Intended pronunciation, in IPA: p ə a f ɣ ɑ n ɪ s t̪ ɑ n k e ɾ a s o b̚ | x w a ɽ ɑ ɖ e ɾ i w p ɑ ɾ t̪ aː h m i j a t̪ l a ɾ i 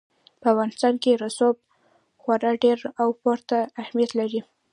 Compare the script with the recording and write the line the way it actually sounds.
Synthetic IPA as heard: p ə a f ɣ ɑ n ɪ s t̪ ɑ n k e ɾ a s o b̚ | x w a ɾ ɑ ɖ e ɾ a w p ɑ ɾ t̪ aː h m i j a t̪ l a ɾ i